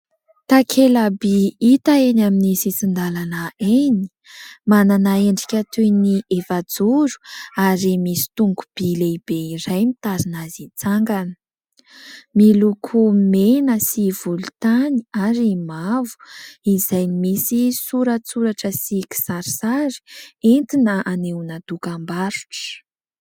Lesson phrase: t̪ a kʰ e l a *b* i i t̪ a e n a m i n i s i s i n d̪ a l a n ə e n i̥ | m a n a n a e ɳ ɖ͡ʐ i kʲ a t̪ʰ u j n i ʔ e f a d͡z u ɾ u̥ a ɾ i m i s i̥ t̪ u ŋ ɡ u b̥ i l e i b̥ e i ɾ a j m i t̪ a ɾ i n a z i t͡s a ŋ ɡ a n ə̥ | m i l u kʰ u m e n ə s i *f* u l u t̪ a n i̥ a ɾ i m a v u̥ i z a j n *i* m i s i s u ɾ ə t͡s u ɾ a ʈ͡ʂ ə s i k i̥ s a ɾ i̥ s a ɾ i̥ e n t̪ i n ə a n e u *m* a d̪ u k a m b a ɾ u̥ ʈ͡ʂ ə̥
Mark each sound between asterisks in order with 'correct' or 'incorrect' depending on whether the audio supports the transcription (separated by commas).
correct, incorrect, correct, incorrect